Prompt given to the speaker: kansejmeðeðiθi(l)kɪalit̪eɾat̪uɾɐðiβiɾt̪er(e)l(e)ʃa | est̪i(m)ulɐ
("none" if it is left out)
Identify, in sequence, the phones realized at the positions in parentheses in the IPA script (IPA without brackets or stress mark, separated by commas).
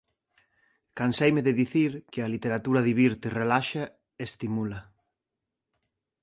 ɾ, e, a, m